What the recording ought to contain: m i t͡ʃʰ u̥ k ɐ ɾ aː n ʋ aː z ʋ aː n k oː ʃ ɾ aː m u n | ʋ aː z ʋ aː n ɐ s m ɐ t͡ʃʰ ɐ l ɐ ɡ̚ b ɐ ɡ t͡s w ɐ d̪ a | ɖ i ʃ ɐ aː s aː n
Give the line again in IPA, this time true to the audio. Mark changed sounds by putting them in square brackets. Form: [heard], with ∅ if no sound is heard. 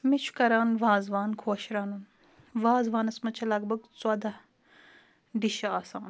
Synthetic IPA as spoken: m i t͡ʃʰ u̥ k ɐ ɾ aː n ʋ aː z ʋ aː n [kʰ] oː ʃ ɾ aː [n] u n | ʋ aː z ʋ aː n ɐ s m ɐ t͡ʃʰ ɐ l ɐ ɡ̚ b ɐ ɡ t͡s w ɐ d̪ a | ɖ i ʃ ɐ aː s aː n